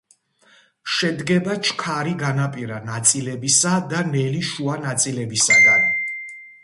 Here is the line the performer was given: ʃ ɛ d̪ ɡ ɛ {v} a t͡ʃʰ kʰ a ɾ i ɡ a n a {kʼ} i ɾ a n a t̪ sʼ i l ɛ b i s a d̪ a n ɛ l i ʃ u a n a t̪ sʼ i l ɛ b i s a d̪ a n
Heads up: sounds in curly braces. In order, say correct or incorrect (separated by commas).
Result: incorrect, incorrect